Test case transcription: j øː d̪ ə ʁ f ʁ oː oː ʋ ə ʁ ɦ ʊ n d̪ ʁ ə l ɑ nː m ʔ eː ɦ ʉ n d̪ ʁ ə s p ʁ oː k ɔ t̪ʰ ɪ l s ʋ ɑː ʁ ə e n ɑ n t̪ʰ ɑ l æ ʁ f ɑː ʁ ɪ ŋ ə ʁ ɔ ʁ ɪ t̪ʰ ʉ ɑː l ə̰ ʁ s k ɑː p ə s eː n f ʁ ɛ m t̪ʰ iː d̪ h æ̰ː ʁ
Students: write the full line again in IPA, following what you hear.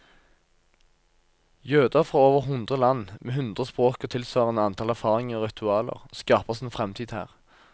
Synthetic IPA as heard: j øː d̪ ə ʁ f ʁ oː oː ʋ ə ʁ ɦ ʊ n d̪ ʁ ə l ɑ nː m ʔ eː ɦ ʉ n d̪ ʁ ə s p ʁ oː k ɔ t̪ʰ ɪ l s ʋ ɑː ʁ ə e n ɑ n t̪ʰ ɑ l æ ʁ f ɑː ʁ ɪ ŋ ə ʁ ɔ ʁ ɪ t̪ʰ ʉ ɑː l ə̰ ʁ s k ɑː p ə s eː n f ʁ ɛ m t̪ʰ iː d̪ h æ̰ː ʁ

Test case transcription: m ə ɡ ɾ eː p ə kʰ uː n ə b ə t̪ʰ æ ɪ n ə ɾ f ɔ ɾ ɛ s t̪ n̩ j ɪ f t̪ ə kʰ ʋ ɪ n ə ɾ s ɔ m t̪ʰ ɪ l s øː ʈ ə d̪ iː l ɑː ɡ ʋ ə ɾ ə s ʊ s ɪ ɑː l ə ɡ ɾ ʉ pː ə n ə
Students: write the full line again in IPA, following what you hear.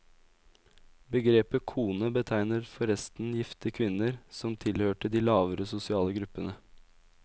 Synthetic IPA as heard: b ə ɡ ɾ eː p ə kʰ uː n ə b ə t̪ʰ æ ɪ n ə ɾ f ɔ ɾ ɛ s t̪ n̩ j ɪ f t̪ ə kʰ ʋ ɪ n ə ɾ s ɔ m t̪ʰ ɪ l h øː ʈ ə d̪ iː l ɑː ʋ ə ɾ ə s ʊ s ɪ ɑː l ə ɡ ɾ ʉ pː ə n ə

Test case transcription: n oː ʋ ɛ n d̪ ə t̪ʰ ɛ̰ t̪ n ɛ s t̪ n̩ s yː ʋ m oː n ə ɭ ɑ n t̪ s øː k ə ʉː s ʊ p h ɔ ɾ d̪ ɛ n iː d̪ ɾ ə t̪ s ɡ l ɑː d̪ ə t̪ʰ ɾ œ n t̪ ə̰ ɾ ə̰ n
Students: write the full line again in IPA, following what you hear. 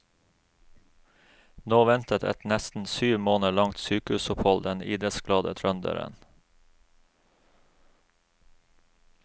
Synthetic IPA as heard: n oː ʋ ɛ n t̪ ə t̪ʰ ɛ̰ t̪ n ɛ s t̪ n̩ s yː ʋ m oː n ə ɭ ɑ ŋ t̪ s yː k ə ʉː s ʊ p h ɔ l d̪ ɛ n iː d̪ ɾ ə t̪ s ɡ l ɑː d̪ ə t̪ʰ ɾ œ n d̪ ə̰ ɾ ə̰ n

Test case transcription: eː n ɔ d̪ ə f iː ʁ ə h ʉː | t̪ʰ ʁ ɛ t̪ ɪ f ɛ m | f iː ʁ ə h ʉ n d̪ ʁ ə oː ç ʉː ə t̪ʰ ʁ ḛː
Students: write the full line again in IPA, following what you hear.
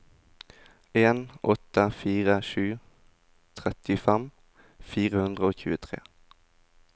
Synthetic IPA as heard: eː n ɔ t̪ ə f iː ʁ ə ʃ ʉː | t̪ʰ ʁ ɛ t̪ ɪ f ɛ m | f iː ʁ ə h ʉ n d̪ ʁ ə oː ç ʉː ə t̪ʰ ʁ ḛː

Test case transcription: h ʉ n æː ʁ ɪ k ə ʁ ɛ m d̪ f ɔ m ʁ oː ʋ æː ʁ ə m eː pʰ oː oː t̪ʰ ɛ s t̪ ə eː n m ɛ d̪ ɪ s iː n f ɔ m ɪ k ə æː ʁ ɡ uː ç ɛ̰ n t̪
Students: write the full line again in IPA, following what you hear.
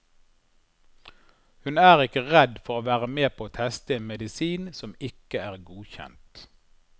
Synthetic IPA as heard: h ʉ n æː ʁ ɪ k ə ʁ ɛ d̪ f ɔ ʁ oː ʋ æː ʁ ə m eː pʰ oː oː t̪ʰ ɛ s t̪ ə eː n m ɛ d̪ ɪ s iː n s ɔ m ɪ k ə æː ʁ ɡ uː ç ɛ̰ n t̪

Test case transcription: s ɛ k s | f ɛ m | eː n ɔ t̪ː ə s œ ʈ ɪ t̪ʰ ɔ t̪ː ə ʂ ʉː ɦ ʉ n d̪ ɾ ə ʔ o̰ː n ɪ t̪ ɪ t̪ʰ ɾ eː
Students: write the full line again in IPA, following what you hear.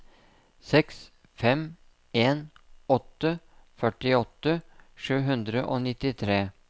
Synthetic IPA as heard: s ɛ k s | f ɛ m | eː n ɔ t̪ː ə f œ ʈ ɪ ɔ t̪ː ə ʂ ʉː ɦ ʉ n d̪ ɾ ə ʔ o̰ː n ɪ t̪ ɪ t̪ʰ ɾ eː

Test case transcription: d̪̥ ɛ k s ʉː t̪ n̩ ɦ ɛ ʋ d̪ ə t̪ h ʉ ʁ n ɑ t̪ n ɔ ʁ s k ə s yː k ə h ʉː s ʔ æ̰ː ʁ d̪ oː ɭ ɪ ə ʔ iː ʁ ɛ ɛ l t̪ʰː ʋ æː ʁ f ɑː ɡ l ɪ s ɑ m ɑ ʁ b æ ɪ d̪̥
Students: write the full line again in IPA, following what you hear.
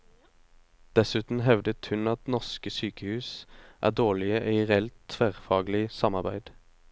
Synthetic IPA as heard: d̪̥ ɛ s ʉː t̪ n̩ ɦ ɛ ʋ d̪ ə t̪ h ʉ n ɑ t̪ n ɔ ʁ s k ə s yː k ə h ʉː s ʔ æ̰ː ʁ d̪ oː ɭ ɪ ə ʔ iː ʁ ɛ ɛ l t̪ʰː ʋ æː ʁ f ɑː ɡ l ɪ s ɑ m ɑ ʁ b æ ɪ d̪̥

